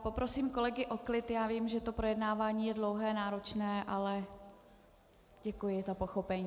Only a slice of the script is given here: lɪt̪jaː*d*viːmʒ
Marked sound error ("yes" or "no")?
yes